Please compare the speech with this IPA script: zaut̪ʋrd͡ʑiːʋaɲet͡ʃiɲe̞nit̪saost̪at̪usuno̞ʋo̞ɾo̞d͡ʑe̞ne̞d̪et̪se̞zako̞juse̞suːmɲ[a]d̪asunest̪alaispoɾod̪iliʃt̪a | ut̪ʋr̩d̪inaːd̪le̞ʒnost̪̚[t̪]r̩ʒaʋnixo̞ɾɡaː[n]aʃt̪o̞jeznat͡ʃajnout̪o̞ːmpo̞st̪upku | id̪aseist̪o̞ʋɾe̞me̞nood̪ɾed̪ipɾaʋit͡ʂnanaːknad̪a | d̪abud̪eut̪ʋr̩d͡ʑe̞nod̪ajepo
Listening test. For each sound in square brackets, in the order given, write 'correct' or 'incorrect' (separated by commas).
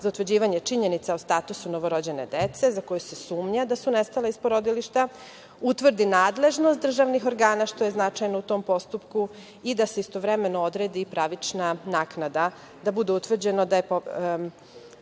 correct, incorrect, correct